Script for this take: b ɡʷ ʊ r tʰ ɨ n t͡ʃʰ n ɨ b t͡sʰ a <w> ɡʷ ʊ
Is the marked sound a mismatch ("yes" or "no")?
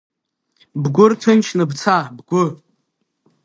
yes